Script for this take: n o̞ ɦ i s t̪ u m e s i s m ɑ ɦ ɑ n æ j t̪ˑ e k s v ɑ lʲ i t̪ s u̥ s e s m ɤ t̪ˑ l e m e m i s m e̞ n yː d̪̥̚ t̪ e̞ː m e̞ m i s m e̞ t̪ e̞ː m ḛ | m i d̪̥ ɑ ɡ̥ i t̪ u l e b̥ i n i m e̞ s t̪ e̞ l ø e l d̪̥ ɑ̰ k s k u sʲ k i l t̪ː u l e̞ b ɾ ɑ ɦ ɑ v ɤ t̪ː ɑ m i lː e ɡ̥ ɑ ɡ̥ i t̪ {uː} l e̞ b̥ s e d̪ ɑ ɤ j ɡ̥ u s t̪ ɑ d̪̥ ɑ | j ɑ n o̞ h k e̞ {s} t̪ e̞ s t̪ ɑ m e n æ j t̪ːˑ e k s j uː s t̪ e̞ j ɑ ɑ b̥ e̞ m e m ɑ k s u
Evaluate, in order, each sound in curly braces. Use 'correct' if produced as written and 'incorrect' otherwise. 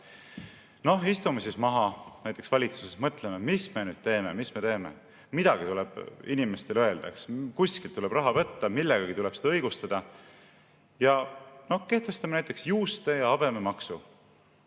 incorrect: u, incorrect: h

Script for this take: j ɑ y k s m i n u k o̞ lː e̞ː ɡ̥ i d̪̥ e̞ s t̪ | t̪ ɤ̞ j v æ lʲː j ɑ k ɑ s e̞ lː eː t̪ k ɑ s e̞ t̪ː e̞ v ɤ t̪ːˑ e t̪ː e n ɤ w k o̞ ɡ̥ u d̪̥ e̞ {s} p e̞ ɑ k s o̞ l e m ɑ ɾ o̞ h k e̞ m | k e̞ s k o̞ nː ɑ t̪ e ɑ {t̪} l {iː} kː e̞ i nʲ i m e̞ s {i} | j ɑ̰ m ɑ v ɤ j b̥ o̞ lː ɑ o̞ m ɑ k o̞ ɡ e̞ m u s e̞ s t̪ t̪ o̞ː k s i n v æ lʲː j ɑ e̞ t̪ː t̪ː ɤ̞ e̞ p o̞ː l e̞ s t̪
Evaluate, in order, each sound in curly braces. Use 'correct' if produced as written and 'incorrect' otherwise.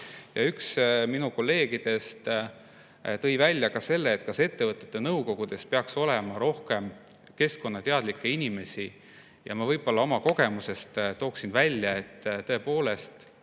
correct, incorrect: d̪, incorrect: i, correct

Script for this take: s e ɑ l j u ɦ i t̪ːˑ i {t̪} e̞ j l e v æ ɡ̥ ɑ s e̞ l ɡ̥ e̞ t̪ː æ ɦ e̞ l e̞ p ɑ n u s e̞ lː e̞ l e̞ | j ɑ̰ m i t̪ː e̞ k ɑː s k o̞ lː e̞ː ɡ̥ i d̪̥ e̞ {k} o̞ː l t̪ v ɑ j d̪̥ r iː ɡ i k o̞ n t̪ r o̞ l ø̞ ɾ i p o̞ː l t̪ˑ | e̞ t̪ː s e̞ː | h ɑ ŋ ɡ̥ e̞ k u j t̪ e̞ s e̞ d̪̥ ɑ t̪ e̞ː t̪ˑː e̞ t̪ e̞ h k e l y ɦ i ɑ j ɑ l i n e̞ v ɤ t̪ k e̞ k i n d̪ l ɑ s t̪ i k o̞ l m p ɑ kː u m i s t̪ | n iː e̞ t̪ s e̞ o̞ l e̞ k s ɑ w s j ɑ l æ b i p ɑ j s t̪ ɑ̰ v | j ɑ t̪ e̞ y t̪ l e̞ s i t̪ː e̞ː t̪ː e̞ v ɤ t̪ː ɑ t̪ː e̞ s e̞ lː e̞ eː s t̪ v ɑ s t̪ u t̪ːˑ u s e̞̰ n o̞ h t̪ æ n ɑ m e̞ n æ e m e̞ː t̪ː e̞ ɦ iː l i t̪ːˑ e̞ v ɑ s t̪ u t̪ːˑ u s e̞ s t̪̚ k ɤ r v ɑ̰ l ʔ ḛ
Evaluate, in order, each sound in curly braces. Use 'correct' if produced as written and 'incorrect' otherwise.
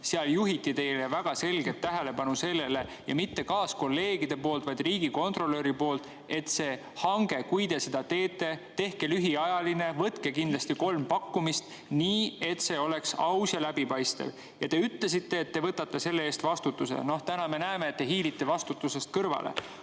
correct, incorrect: p

